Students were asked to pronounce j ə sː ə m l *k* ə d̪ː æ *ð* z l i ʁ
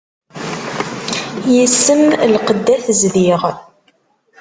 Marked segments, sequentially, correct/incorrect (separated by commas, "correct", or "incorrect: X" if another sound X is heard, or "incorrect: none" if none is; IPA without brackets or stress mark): incorrect: q, incorrect: θ